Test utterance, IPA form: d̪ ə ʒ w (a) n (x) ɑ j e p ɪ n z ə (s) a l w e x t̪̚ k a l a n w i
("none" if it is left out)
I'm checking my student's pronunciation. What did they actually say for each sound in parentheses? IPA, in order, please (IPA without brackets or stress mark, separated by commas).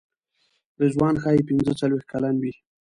ɑ, x, t͡s